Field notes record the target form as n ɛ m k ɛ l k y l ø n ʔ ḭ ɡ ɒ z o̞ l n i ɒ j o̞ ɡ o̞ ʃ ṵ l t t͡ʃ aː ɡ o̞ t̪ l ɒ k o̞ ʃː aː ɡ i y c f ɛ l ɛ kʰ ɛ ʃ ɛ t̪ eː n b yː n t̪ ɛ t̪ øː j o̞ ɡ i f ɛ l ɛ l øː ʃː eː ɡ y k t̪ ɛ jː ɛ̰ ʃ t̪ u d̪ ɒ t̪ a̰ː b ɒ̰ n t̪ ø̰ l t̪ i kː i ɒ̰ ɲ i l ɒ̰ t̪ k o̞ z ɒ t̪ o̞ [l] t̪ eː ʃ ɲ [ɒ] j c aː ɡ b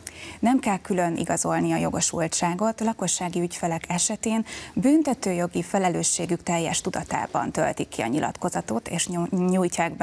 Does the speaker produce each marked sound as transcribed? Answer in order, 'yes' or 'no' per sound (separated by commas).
no, no